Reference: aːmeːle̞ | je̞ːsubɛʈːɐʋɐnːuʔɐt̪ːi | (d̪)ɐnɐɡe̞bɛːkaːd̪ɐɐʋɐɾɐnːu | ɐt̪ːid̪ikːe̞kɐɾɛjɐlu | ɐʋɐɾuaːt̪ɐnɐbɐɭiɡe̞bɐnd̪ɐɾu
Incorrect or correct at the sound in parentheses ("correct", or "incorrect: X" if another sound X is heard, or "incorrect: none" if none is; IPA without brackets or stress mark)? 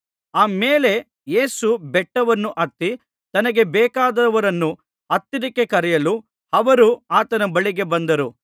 incorrect: t̪